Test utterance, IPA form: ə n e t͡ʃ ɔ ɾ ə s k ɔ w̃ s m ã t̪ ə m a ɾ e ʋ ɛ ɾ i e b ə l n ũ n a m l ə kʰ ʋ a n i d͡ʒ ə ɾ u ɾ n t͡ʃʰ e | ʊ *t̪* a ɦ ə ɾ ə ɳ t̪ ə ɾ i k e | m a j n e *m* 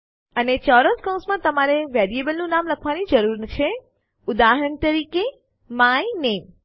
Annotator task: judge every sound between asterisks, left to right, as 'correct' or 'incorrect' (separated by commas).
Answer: incorrect, correct